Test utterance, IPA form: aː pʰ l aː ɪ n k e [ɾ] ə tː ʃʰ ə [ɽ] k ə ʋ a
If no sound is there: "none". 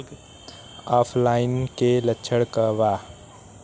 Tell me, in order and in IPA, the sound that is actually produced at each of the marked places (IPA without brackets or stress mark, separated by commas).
l, ɽ